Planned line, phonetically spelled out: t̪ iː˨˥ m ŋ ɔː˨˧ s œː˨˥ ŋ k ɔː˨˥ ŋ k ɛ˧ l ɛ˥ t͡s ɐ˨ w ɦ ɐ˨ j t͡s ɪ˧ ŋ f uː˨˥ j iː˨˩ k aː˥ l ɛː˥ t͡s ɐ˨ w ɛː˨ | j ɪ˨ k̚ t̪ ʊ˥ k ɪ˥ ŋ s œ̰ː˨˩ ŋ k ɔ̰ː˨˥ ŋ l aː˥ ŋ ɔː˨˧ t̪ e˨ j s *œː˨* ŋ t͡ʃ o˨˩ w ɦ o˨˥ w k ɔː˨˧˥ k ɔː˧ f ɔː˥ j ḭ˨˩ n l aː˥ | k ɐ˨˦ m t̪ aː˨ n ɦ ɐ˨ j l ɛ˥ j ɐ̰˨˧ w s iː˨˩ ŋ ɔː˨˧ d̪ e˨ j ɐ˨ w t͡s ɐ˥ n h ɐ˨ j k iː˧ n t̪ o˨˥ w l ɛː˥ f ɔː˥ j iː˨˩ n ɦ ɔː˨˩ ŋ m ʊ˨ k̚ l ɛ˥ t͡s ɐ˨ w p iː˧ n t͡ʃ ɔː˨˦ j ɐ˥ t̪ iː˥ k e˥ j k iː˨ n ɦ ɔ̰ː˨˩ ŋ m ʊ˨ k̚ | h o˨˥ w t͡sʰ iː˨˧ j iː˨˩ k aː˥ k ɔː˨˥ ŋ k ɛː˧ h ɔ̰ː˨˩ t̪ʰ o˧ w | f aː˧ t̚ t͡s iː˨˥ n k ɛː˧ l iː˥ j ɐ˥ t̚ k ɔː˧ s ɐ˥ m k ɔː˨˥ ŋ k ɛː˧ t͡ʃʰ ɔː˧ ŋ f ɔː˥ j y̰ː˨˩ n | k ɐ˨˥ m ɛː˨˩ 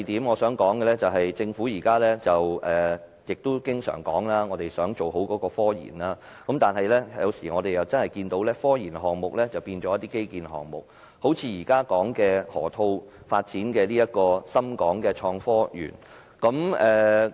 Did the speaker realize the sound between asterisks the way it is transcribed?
no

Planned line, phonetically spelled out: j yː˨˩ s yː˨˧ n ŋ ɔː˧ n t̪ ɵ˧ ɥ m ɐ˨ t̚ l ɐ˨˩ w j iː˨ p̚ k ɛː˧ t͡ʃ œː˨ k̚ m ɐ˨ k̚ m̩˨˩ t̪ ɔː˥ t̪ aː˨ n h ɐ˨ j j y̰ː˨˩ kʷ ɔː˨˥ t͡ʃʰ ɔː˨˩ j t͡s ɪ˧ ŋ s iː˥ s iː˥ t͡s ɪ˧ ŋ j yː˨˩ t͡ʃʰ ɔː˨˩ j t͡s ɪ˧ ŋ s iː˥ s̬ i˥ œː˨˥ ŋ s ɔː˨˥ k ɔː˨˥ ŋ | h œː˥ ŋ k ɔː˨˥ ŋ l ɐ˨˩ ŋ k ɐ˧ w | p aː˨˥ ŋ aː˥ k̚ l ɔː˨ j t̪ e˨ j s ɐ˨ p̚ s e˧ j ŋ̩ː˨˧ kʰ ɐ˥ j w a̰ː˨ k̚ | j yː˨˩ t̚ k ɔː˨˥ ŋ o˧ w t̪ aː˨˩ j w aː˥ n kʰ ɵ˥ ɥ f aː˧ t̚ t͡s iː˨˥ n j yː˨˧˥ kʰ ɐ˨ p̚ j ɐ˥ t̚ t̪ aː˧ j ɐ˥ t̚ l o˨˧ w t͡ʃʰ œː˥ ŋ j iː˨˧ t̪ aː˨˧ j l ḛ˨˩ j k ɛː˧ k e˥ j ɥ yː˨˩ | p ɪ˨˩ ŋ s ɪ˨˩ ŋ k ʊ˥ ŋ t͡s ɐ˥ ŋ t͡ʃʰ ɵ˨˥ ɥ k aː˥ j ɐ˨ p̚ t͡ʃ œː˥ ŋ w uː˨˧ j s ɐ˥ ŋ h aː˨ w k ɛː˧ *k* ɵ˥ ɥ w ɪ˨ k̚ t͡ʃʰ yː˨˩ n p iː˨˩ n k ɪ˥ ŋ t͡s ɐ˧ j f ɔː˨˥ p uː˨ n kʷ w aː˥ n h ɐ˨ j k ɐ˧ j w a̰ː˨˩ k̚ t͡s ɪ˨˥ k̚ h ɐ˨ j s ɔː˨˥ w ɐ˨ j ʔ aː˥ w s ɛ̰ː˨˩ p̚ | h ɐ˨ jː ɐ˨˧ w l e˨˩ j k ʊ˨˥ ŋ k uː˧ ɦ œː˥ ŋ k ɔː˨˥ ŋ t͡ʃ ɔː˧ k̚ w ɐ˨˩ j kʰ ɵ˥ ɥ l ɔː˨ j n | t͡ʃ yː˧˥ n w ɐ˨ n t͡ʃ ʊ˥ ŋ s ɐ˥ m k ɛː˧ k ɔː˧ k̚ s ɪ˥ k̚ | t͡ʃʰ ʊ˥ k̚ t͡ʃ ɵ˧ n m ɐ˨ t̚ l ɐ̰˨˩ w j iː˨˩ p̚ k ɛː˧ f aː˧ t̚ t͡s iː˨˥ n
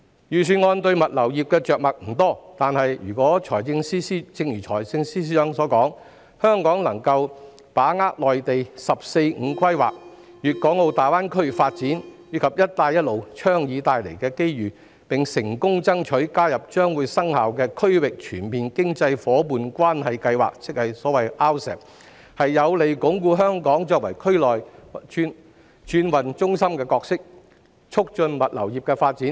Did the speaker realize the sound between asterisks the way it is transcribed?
no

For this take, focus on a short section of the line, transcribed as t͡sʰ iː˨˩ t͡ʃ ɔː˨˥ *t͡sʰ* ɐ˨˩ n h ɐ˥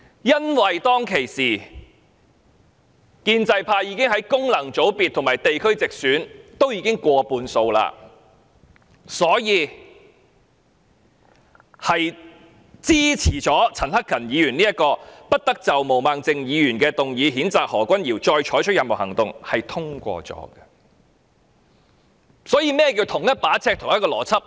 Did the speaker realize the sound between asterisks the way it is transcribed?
yes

